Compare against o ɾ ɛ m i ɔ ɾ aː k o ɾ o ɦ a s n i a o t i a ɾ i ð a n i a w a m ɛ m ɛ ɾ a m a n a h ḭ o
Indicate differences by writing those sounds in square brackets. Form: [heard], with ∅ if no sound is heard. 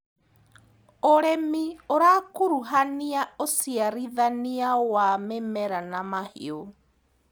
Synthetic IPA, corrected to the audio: o ɾ ɛ m i [o] ɾ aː k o ɾ [u] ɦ a [∅] n i a o [s] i a ɾ i ð a n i a w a m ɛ m ɛ ɾ a [n] a [m] a h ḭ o